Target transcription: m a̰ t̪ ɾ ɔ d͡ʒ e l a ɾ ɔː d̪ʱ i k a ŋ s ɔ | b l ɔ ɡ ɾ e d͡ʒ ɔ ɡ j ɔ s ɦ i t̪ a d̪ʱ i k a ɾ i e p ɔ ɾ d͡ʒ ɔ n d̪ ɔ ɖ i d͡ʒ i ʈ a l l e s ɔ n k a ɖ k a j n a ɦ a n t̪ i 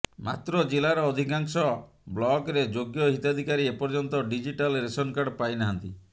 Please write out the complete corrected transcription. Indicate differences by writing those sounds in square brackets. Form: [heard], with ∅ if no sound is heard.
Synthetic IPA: m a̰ t̪ ɾ ɔ d͡ʒ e l a ɾ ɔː d̪ʱ i k a ŋ s ɔ | b l ɔ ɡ ɾ e d͡ʒ [o] ɡ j ɔ [∅] ɦ i t̪ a d̪ʱ i k a ɾ i e p ɔ ɾ d͡ʒ ɔ n [t̪] ɔ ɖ i d͡ʒ i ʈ a l [ɾ] e s ɔ n k a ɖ [p] a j n a ɦ a n t̪ i